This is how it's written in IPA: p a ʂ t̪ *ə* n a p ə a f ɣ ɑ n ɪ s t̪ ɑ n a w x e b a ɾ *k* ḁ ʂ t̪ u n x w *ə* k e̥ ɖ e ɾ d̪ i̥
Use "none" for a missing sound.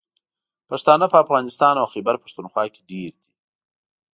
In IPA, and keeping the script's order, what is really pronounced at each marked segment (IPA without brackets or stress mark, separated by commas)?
ɑ, p, ɑ